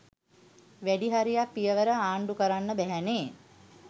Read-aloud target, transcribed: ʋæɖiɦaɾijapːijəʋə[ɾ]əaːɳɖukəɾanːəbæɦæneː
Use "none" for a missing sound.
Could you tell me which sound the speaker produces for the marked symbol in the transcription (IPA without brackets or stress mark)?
ɾ